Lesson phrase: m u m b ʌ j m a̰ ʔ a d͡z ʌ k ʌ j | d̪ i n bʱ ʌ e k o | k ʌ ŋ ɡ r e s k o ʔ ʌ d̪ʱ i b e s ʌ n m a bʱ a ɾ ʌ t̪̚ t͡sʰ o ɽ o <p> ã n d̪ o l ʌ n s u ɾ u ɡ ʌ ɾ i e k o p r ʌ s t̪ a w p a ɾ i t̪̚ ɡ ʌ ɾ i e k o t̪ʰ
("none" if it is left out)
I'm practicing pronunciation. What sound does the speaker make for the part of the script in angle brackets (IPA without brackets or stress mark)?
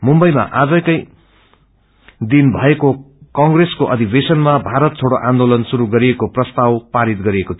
ʔ